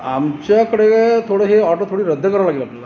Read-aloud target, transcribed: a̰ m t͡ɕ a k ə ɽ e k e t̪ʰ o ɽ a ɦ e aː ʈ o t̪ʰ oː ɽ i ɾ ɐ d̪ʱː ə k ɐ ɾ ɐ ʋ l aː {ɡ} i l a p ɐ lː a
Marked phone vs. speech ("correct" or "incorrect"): correct